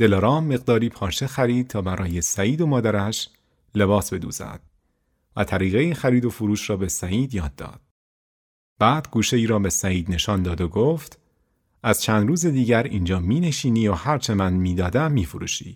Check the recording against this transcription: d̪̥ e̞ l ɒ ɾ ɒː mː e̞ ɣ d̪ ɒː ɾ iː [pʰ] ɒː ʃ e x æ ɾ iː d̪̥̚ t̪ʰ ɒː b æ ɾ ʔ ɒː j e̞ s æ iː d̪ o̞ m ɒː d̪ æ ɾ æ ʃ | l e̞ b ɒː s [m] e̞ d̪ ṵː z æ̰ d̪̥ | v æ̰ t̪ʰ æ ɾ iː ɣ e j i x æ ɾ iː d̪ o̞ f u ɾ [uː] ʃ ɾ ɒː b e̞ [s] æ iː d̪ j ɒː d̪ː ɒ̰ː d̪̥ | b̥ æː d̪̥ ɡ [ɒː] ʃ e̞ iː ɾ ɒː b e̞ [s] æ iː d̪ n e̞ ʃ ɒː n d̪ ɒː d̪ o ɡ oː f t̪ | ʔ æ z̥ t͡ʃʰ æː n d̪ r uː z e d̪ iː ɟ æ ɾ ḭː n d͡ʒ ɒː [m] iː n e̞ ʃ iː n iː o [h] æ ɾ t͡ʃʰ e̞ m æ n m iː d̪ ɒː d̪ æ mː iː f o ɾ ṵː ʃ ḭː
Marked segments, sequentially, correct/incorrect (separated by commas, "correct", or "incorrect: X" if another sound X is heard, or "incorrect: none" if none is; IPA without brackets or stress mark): correct, incorrect: b, correct, correct, incorrect: uː, correct, correct, correct